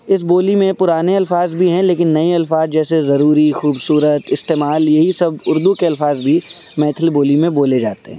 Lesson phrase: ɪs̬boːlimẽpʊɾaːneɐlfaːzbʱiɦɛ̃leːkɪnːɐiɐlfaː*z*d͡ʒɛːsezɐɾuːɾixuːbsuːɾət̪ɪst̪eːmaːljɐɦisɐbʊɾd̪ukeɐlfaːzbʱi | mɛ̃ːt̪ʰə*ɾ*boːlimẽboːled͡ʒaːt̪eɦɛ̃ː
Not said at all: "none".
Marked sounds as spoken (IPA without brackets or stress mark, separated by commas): z, l